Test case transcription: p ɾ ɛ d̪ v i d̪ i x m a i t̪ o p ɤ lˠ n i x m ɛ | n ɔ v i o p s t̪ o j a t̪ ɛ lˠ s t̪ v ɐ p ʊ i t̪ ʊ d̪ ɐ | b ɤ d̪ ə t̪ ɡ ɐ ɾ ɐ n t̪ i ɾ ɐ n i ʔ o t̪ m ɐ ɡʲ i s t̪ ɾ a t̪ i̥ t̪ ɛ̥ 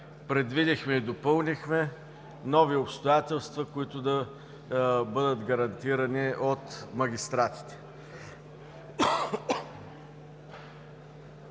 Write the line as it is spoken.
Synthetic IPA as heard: p ɾ ɛ d̪ v i d̪ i x m ɛ i d̪ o p ɤ lˠ n i x m ɛ | n ɔ v i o p s t̪ o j a t̪ ɛ lˠ s t̪ v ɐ k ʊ i t̪ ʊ d̪ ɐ | b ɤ d̪ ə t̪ ɡ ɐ ɾ ɐ n t̪ i ɾ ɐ n i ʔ o t̪ m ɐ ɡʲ i s t̪ ɾ a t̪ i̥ t̪ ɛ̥